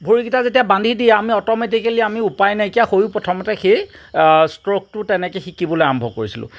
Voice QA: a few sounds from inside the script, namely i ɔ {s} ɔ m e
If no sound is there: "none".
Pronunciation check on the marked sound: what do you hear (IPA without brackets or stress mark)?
t